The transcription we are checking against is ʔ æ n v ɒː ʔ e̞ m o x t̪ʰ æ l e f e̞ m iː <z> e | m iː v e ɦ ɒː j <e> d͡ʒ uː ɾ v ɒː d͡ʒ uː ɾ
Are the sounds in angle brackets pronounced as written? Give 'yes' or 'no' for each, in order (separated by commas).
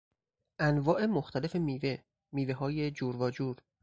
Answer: no, yes